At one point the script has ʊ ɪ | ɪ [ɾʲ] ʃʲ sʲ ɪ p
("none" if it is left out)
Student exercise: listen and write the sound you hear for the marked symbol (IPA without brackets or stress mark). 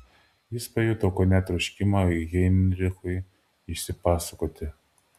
none